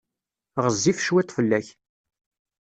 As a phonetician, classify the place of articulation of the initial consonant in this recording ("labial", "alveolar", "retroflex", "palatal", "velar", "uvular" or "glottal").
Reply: uvular